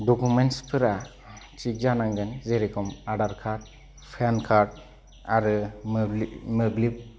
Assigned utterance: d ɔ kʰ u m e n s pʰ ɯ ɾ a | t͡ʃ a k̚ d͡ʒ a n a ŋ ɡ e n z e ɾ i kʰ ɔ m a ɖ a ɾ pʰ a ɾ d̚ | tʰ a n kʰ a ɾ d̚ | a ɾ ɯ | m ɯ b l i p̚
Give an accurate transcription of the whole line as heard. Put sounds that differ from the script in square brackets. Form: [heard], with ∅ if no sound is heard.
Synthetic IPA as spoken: d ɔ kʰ u m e n s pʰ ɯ ɾ a | t͡ʃ [i] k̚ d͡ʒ a n a ŋ ɡ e n z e ɾ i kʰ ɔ m a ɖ a ɾ [kʰ] a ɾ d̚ | [pʰ] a n kʰ a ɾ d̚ | a ɾ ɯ | m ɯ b l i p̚

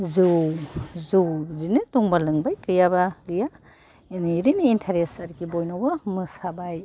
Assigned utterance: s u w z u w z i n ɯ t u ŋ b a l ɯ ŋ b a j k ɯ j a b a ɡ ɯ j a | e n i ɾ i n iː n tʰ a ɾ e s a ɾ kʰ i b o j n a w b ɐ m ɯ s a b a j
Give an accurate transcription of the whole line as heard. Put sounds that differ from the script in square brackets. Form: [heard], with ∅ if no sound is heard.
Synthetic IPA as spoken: [z] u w z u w z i n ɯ t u ŋ b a l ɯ ŋ b a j k ɯ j a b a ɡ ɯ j a | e n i ɾ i n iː n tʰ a ɾ e s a ɾ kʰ i b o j n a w b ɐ m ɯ s a b a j

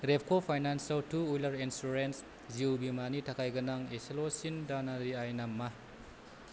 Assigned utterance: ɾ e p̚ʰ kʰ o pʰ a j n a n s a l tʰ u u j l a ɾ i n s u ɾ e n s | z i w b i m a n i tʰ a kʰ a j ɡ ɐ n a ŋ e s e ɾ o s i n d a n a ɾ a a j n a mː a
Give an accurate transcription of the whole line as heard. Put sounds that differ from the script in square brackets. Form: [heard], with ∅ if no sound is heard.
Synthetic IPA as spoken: ɾ e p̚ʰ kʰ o pʰ a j n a n s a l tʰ u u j l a ɾ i n s u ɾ e n s | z i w b i m a n i tʰ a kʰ a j ɡ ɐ n a ŋ e s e [l] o s i n d a n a ɾ [i] a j n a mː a

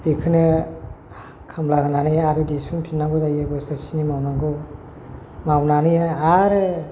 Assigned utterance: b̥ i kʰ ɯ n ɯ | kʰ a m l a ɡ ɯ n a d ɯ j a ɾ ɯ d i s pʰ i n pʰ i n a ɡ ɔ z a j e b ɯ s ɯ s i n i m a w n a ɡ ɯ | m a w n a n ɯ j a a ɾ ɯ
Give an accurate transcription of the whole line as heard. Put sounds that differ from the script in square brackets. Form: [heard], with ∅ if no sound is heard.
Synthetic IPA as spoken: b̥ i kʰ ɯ n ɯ | kʰ a m l a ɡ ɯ n a [n] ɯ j a ɾ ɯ d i s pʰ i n pʰ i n a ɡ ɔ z a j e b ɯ s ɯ s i n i m a w n a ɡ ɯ | m a w n a n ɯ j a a ɾ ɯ

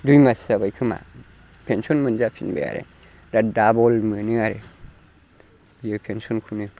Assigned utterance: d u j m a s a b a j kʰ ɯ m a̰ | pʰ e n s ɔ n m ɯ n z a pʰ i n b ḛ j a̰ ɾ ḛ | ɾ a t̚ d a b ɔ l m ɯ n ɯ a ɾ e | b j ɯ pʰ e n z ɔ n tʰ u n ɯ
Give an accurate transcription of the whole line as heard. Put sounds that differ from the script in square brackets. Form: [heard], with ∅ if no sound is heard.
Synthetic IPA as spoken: d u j m a s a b a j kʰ ɯ m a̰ | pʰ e n s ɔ n m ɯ n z a pʰ i n b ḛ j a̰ ɾ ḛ | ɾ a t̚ d a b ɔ l m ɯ n ɯ a ɾ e | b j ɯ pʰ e n [s] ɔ n [kʰ] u n ɯ

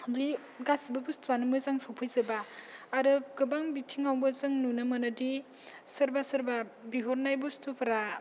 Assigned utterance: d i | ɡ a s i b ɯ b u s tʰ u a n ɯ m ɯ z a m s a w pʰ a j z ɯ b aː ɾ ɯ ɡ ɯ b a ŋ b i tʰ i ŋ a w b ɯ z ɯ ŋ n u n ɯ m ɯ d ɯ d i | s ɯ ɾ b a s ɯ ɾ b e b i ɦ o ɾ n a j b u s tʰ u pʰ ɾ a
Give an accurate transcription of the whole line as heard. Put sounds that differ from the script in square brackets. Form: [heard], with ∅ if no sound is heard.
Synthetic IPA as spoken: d i | ɡ a s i b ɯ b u s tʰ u a n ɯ m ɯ z a [ŋ] s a w pʰ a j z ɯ b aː ɾ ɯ ɡ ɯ b a ŋ b i tʰ i ŋ a w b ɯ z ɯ ŋ n u n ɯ m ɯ [n] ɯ d i | s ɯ ɾ b a s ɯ ɾ b [a] b i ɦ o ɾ n a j b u s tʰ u pʰ ɾ a

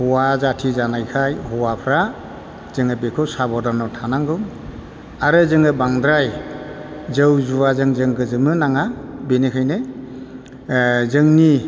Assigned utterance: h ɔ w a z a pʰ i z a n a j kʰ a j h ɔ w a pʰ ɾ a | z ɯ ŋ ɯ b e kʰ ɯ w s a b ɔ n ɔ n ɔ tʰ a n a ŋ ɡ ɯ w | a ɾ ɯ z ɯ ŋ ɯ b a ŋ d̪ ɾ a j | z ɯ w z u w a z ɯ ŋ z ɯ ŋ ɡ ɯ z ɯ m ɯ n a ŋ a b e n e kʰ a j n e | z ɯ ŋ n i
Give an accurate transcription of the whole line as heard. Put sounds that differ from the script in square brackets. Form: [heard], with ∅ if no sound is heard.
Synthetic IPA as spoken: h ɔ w a z a [tʰ] i z a n a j kʰ a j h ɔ w a pʰ ɾ a | z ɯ ŋ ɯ b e kʰ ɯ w s a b ɔ [d] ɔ n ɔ tʰ a n a ŋ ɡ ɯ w | a ɾ ɯ z ɯ ŋ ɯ b a ŋ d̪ ɾ a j | z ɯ w z u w a z ɯ ŋ z ɯ ŋ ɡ ɯ z ɯ m ɯ n a ŋ a b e n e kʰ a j n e | z ɯ ŋ n i

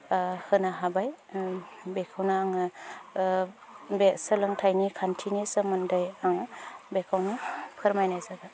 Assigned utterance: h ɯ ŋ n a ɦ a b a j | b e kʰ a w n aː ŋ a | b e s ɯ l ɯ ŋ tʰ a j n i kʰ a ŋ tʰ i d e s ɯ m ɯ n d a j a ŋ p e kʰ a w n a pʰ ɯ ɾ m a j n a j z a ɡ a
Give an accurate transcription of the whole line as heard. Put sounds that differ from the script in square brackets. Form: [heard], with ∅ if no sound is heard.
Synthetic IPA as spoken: h ɯ [∅] n a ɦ a b a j | b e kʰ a w n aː ŋ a | b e s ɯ l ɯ ŋ tʰ a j n i kʰ a [n] tʰ i [n] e s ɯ m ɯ n d a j a ŋ [b] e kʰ a w n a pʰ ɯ ɾ m a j n a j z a ɡ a

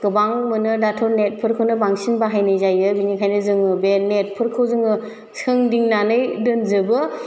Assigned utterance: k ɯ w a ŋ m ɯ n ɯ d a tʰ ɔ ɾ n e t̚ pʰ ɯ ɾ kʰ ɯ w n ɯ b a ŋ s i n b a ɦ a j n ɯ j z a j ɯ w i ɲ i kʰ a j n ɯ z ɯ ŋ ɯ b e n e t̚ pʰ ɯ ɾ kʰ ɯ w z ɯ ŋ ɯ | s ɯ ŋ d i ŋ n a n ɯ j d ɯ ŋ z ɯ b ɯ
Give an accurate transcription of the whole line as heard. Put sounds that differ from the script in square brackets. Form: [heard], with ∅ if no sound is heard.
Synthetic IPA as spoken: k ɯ [b] a ŋ m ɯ n ɯ d a tʰ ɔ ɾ n e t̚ pʰ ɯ ɾ kʰ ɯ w n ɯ b a ŋ s i n b a ɦ a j n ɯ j z a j ɯ [b] i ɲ i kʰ a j n ɯ z ɯ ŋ ɯ b e n e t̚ pʰ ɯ ɾ kʰ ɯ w z ɯ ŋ ɯ | s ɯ ŋ d i ŋ n a n ɯ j d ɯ [n] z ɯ b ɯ

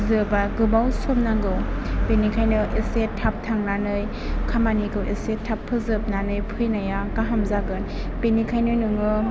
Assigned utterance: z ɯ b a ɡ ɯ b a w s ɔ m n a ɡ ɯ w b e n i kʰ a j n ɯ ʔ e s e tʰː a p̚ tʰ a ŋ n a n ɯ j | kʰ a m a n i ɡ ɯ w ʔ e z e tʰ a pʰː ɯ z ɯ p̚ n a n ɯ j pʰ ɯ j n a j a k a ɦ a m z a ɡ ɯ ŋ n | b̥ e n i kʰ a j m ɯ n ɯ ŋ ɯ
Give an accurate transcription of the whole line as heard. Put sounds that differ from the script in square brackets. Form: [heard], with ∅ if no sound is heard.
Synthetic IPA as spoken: z ɯ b a ɡ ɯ b a w s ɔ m n a ɡ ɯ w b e n i kʰ a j n ɯ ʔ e s e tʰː a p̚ tʰ a ŋ n a n ɯ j | kʰ a m a n i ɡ ɯ w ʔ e [s] e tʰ a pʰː ɯ z ɯ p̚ n a n ɯ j pʰ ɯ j n a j a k a ɦ a m z a ɡ ɯ [∅] n | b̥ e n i kʰ a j [n] ɯ n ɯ ŋ ɯ

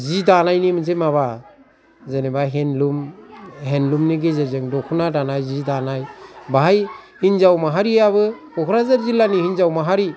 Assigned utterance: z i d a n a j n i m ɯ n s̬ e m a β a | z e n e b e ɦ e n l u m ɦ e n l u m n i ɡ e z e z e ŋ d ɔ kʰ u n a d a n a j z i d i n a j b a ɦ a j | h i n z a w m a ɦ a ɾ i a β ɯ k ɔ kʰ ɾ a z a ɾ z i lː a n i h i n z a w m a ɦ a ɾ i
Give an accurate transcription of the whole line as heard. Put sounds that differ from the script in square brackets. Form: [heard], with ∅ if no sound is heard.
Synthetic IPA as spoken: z i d a n a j n i m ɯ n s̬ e m a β a | z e n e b [a] ɦ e n l u m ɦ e n l u m n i ɡ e z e z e ŋ d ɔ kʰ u n a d a n a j z i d [a] n a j b a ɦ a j | h i n z a w m a ɦ a ɾ i a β ɯ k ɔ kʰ ɾ a z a ɾ z i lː a n i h i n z a w m a ɦ a ɾ i

